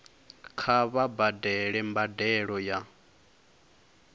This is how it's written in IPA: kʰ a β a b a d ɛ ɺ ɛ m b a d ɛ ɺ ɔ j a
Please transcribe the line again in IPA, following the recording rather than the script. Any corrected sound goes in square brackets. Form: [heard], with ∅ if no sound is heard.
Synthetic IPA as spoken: kʰ a β a b a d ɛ ɺ ɛ m b a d ɛ ɺ ɔ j a